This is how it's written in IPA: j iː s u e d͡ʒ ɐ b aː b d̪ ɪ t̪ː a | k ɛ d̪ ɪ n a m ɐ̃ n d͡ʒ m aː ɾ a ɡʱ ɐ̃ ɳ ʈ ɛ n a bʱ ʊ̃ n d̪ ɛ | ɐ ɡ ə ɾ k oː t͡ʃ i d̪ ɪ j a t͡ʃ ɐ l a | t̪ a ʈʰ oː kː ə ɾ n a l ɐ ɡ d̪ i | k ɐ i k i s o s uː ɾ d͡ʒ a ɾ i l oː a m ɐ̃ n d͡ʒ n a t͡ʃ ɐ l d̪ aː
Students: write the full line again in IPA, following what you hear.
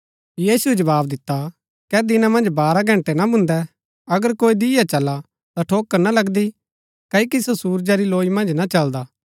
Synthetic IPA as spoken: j iː s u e d͡ʒ ɐ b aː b d̪ ɪ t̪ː a | k ɛ d̪ ɪ n a m ɐ̃ n d͡ʒ b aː ɾ a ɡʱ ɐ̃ ɳ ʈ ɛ n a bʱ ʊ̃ n d̪ ɛ | ɐ ɡ ə ɾ k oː i d̪ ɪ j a t͡ʃ ɐ l a | t̪ a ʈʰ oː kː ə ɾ n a l ɐ ɡ d̪ i | k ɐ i k i s o s uː ɾ d͡ʒ a ɾ i l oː i m ɐ̃ n d͡ʒ n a t͡ʃ ɐ l d̪ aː